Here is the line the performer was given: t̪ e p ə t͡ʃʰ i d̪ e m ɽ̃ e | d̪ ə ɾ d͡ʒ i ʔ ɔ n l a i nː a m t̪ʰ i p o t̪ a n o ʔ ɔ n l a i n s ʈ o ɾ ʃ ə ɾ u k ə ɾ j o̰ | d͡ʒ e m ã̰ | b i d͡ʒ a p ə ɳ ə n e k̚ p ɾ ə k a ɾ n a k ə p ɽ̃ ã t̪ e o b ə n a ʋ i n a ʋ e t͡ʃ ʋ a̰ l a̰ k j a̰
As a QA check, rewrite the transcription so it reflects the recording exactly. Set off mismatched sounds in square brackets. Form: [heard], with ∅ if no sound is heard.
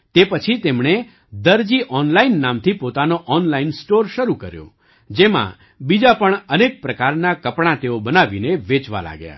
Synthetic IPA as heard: t̪ e p ə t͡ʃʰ i [t̪] e m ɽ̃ e | d̪ ə ɾ d͡ʒ i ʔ ɔ n l a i nː a m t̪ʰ i p o t̪ a n o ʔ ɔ n l a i n s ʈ o ɾ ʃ ə ɾ u k ə ɾ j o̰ | d͡ʒ e m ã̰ | b i d͡ʒ a p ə ɳ ə n e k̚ p ɾ ə k a ɾ n a k ə p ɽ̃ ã t̪ e o b ə n a ʋ i n [e] ʋ e t͡ʃ ʋ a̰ l a̰ [ɡ] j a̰